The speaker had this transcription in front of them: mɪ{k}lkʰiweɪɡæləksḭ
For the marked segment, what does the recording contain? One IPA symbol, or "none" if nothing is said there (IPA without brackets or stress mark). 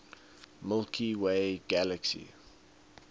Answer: none